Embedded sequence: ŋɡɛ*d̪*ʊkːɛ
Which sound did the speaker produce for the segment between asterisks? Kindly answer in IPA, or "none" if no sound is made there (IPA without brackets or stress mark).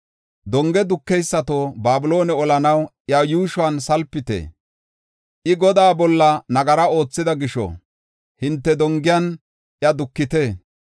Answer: d̪